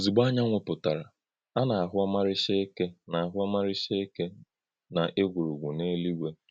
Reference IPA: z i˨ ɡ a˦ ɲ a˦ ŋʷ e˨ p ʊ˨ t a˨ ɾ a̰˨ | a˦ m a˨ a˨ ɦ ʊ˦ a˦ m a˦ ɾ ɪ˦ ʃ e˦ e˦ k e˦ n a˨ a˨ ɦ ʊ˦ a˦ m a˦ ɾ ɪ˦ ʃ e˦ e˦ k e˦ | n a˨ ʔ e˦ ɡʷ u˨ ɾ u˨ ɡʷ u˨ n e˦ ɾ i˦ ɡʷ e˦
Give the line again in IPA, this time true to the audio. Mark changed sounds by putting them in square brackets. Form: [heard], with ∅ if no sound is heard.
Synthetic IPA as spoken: z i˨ [ɡ͡b] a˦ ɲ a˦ ŋʷ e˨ p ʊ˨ t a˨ ɾ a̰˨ | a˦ [n] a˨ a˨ ɦ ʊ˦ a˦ m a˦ ɾ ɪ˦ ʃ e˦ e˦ k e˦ n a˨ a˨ ɦ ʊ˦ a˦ m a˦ ɾ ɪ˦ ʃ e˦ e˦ k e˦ | n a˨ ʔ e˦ ɡʷ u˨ ɾ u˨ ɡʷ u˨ n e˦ [l] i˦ ɡʷ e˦